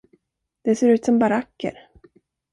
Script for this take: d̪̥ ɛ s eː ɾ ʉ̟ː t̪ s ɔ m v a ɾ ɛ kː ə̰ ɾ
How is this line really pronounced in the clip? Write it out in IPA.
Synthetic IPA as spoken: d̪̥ ɛ s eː ɾ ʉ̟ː t̪ s ɔ m b a ɾ a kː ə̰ ɾ